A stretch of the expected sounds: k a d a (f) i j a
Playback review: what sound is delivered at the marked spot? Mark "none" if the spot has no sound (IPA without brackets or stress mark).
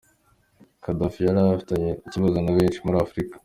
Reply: f